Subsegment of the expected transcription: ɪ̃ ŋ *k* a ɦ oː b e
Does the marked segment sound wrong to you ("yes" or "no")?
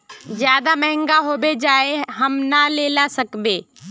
yes